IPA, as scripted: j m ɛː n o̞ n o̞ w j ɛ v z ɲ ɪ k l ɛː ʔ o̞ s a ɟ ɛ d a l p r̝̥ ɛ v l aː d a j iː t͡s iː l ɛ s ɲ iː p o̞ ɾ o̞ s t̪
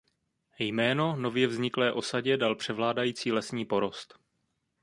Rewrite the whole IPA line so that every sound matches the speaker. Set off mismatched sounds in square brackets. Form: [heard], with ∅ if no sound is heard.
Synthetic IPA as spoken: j m ɛː n o̞ n o̞ [v] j ɛ v z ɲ ɪ k l ɛː ʔ o̞ s a ɟ ɛ d a l p r̝̥ ɛ v l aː d a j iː t͡s iː l ɛ s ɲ iː p o̞ ɾ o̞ s t̪